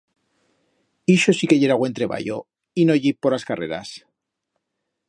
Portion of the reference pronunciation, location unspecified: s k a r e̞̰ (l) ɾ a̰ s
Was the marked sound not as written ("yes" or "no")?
yes